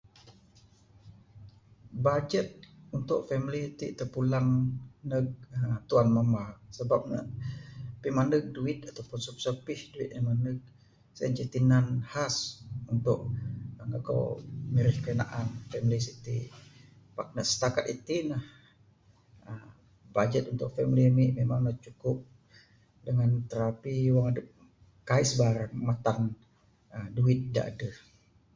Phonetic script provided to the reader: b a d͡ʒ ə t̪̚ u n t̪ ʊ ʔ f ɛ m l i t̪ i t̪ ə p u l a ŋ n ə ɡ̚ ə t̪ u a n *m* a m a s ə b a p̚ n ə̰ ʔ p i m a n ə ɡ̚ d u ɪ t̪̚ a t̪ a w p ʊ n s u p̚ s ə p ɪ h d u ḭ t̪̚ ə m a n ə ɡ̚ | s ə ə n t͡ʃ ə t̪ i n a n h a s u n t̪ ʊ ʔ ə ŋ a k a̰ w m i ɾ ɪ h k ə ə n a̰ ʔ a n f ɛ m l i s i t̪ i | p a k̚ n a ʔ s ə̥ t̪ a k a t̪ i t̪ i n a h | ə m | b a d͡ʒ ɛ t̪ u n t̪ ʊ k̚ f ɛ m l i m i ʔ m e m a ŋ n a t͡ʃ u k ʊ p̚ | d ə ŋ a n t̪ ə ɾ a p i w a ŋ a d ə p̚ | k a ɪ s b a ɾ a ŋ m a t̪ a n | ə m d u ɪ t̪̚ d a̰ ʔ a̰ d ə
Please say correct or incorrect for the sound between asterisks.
correct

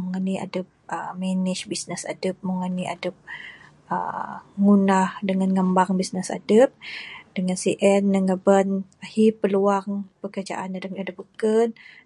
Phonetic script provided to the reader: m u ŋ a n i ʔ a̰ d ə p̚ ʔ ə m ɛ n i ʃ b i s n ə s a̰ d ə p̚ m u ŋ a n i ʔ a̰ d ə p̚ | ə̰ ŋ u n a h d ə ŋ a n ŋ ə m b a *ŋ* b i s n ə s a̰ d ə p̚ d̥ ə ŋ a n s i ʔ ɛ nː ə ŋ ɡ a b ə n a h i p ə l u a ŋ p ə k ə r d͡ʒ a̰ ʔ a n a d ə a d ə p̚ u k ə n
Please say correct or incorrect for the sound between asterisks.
correct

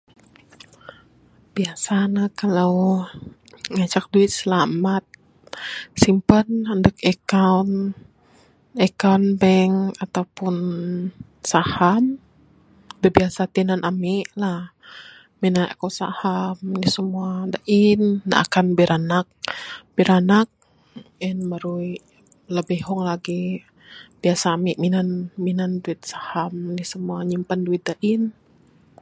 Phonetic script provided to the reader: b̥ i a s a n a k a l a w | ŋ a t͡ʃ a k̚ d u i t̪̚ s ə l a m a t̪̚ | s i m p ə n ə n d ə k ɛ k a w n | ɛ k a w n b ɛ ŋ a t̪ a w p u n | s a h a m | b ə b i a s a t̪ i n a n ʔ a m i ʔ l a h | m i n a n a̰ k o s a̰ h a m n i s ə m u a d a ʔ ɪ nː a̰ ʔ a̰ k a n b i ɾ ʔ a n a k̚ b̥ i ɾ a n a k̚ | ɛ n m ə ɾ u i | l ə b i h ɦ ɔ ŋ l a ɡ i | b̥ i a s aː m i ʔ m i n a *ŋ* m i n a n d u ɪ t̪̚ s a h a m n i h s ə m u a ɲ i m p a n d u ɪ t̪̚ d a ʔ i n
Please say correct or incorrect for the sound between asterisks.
incorrect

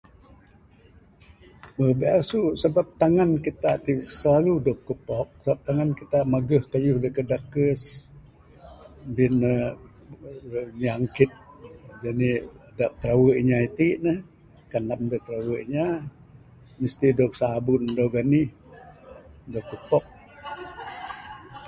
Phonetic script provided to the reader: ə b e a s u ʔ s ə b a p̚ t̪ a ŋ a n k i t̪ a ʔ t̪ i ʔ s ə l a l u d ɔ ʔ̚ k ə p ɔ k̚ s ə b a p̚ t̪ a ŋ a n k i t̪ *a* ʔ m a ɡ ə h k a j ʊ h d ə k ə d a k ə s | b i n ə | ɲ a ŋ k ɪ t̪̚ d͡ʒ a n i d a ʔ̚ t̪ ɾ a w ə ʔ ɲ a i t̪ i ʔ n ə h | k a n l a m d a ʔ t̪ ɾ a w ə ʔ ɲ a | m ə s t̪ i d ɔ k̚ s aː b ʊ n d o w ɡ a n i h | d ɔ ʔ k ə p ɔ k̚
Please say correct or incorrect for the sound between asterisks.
correct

